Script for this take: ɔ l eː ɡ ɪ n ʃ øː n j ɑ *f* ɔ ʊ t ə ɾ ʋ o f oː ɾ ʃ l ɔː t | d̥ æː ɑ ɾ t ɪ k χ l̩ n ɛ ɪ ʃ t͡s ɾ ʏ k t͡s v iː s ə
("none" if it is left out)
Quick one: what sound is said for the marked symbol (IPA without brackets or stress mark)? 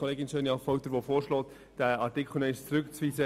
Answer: f